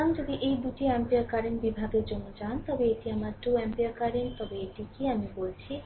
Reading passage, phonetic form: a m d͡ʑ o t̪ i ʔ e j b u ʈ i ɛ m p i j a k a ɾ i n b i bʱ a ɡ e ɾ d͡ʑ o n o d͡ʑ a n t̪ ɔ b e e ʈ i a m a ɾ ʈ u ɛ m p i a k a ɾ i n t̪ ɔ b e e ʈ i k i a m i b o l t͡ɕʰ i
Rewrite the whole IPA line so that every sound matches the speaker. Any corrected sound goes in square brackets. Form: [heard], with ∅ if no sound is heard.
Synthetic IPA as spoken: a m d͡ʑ o [d̪] i ʔ e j b u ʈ i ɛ m p i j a k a ɾ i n b i bʱ a ɡ e ɾ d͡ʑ o [nː] o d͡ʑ a n t̪ ɔ b e e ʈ i a m a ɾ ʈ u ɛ m p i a k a ɾ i n t̪ ɔ b e e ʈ i k i a m i b o l t͡ɕʰ i